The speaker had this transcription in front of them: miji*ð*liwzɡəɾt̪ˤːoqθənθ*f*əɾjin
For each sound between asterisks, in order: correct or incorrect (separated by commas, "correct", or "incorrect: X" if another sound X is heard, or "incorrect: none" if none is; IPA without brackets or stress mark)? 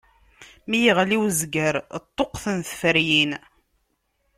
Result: incorrect: ʁ, correct